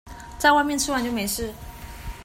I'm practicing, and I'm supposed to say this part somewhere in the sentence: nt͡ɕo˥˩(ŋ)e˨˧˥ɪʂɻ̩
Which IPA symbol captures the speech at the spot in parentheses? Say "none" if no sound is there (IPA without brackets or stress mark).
m